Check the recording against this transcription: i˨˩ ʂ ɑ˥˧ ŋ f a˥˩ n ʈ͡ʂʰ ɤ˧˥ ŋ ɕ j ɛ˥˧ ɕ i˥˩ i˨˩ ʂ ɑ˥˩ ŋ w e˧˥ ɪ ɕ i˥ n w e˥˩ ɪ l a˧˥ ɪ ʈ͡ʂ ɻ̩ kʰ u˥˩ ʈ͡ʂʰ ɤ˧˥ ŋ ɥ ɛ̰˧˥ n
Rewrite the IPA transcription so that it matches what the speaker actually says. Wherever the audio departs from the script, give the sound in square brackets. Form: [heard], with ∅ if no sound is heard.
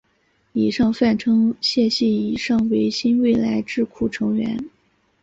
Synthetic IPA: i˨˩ ʂ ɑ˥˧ ŋ f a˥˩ n ʈ͡ʂʰ [ɤ˥] ŋ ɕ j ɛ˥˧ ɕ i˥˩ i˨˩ ʂ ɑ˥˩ ŋ w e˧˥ ɪ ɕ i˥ n w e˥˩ ɪ l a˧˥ ɪ ʈ͡ʂ ɻ̩ kʰ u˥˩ ʈ͡ʂʰ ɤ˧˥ ŋ ɥ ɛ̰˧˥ n